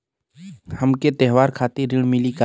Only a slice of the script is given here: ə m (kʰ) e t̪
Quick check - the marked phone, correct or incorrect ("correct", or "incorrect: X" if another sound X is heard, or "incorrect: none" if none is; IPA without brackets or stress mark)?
incorrect: k